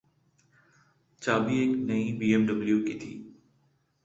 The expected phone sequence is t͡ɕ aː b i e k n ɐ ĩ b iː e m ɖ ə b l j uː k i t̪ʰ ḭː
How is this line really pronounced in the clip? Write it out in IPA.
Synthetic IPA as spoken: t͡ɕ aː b i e k n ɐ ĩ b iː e m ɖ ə b l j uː k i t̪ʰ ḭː